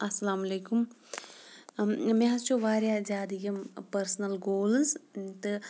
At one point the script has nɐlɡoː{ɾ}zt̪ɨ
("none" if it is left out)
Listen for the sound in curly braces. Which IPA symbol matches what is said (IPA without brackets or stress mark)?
l